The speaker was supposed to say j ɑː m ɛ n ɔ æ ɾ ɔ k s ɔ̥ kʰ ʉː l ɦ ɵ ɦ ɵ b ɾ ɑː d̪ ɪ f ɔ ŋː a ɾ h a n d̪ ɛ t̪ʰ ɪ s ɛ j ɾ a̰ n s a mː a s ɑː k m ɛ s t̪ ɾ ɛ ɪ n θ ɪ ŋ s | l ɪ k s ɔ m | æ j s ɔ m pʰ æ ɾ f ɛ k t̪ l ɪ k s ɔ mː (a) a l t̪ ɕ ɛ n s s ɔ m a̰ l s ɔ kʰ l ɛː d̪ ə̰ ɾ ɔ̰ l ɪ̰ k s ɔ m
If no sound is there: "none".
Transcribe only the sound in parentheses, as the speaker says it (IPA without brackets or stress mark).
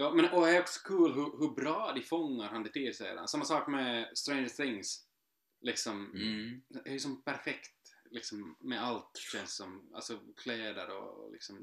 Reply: ɛ